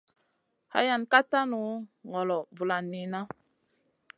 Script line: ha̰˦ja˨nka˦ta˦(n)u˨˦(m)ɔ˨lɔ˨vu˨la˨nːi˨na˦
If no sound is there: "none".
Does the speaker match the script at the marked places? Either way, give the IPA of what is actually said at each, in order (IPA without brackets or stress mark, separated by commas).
n, ŋ